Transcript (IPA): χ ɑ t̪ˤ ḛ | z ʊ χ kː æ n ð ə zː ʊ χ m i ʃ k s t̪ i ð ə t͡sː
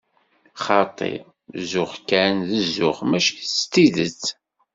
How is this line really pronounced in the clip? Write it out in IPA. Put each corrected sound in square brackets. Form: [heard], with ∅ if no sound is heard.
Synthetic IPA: χ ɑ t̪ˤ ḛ | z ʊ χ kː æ n ð ə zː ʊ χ m [æ] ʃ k s t̪ i ð ə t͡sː